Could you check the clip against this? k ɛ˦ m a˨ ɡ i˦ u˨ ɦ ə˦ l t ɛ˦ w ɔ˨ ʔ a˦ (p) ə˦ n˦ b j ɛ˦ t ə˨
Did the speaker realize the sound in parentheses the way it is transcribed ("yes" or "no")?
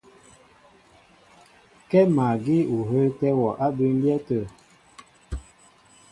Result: no